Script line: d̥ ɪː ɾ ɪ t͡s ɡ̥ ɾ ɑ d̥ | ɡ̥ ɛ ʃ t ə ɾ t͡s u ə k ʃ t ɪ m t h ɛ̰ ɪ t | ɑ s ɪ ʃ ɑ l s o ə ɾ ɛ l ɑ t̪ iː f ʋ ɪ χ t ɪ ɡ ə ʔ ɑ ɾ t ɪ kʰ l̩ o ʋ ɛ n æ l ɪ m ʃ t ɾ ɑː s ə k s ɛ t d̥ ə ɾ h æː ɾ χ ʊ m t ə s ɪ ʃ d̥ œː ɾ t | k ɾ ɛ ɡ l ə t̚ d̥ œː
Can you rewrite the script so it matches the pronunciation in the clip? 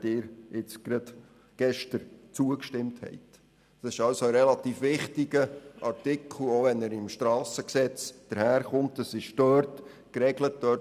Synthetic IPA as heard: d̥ ɪː ɾ ɪ t͡s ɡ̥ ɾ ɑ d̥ | ɡ̥ ɛ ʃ t ə ɾ t͡s u ə k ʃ t ɪ m t h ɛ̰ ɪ t | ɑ s ɪ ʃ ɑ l s o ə ɾ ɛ l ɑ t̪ iː f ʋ ɪ χ t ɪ ɡ ə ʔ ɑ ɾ t ɪ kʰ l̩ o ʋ ɛ n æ ɾ ɪ m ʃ t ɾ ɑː s ə k s ɛ t͡s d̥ ə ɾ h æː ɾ χ ʊ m t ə s ɪ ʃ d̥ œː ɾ t | k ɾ ɛ ɡ l ə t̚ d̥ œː